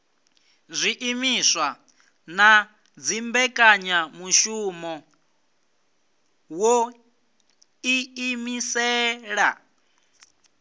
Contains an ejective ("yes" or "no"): yes